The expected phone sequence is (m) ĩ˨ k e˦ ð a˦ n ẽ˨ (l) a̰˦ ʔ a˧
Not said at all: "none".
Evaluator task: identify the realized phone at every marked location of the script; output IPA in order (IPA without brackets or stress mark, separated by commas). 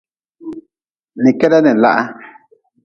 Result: n, l